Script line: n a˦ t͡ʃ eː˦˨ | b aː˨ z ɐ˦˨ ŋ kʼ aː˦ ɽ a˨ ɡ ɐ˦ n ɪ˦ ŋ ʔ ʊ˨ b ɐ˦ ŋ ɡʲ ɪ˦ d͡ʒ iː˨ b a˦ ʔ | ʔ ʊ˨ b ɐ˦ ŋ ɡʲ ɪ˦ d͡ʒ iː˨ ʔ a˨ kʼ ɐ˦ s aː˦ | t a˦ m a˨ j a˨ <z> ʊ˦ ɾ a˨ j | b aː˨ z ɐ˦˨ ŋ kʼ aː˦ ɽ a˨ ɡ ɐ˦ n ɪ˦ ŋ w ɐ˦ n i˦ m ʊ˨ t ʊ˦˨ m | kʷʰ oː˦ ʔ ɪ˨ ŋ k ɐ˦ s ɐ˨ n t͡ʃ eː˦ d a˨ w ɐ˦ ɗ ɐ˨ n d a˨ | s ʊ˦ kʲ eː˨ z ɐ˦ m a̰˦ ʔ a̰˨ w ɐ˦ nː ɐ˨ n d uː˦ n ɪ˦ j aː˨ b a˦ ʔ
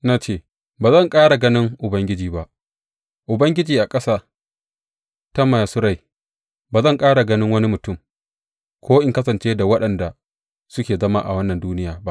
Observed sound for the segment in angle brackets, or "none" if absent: s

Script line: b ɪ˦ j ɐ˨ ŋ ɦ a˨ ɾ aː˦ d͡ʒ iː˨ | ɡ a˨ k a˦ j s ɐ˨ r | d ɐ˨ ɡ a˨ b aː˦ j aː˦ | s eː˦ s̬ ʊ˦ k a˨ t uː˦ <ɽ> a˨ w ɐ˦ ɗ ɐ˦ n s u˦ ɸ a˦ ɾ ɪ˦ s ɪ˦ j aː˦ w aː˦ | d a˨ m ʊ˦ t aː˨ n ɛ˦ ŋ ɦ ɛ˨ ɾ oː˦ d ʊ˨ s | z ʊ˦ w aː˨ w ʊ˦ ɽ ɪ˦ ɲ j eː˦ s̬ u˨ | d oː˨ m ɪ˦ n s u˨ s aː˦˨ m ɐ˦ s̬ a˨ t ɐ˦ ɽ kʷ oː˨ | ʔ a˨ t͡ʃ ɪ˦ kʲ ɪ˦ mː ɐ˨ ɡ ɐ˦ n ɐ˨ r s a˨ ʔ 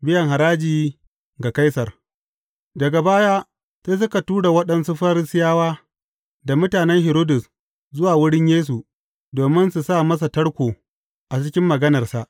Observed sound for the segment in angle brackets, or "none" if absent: ɽ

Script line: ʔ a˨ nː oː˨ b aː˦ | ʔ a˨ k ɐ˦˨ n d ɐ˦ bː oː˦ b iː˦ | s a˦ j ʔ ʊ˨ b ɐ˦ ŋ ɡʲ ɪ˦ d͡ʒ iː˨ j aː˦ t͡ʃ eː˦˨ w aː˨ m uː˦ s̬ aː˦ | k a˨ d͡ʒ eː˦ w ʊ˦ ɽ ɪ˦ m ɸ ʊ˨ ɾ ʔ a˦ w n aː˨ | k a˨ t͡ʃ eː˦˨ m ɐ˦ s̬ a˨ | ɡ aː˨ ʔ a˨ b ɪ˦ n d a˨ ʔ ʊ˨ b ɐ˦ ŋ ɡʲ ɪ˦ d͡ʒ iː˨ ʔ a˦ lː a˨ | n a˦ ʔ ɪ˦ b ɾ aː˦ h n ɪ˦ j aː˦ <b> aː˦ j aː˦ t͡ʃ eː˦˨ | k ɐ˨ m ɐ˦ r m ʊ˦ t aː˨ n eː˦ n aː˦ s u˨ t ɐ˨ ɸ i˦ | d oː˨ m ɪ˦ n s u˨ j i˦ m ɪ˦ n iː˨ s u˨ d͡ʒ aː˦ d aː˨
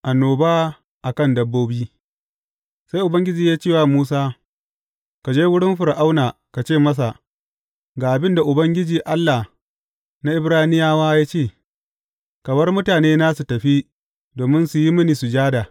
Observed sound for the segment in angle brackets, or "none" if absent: w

